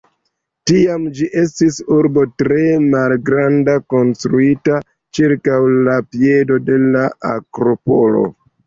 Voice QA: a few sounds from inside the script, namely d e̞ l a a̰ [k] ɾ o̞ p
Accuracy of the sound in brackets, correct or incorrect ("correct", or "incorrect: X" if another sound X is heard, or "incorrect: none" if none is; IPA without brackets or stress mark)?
correct